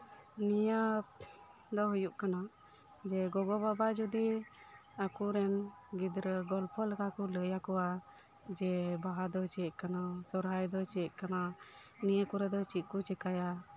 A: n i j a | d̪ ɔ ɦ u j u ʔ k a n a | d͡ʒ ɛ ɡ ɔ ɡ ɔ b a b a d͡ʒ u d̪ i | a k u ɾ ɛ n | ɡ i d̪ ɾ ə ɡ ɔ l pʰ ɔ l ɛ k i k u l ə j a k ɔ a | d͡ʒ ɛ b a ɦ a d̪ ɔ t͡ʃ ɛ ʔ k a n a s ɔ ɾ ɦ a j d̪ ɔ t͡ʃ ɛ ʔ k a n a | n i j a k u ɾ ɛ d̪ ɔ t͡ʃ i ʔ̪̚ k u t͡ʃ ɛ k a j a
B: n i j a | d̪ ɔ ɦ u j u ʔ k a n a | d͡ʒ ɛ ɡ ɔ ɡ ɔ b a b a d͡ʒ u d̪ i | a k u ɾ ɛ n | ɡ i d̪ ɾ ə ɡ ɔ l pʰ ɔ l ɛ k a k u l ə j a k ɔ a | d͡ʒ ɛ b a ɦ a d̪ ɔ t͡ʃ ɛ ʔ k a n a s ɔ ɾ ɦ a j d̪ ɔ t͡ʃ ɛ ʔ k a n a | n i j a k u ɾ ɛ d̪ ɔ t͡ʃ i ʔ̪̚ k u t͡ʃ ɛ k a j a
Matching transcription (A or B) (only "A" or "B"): B